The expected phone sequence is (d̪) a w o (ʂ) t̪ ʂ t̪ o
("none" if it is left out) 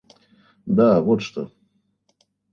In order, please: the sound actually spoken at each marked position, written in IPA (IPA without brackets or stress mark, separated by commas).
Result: d̪, none